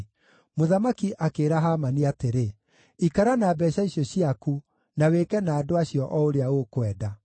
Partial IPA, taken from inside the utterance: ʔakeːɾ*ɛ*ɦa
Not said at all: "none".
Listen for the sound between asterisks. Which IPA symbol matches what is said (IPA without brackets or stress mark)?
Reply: a